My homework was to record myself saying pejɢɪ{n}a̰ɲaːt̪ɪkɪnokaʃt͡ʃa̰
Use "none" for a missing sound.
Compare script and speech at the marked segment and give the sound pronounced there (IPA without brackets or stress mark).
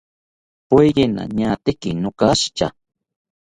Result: n